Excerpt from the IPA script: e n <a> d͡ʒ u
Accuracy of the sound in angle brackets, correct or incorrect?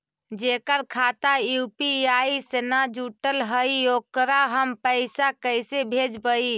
correct